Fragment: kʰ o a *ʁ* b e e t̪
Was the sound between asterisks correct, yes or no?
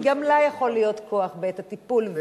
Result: no